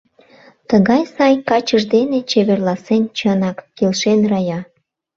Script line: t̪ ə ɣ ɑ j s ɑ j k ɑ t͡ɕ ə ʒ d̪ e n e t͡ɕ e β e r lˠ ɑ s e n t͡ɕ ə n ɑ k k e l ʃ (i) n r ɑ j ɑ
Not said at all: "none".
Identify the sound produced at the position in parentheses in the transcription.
e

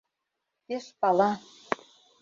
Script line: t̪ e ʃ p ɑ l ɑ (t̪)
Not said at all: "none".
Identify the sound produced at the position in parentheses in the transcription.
none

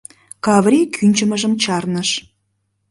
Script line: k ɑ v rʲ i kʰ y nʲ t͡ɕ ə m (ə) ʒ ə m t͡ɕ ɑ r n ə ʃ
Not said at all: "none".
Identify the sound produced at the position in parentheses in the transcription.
ə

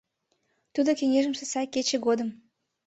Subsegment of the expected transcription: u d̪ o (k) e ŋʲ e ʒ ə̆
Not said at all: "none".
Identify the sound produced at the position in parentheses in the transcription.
k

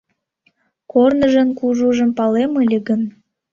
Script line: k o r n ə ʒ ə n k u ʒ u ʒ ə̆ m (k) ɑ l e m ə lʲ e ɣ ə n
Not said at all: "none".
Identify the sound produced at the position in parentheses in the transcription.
p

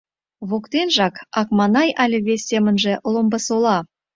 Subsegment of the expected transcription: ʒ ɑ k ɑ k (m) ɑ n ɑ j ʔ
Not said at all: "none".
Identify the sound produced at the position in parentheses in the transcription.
m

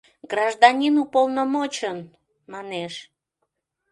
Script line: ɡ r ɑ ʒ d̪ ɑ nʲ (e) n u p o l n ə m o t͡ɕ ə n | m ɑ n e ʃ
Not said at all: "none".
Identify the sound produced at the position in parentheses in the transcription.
i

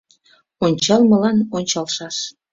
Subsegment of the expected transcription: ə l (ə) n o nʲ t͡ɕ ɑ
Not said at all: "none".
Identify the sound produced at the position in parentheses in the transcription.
ɑ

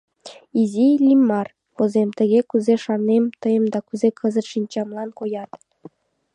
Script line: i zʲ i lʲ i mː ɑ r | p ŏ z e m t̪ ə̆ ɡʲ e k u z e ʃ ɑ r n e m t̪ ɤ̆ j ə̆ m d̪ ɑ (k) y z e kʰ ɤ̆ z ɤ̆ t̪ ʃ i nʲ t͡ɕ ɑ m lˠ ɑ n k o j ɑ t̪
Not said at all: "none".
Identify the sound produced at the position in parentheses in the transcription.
k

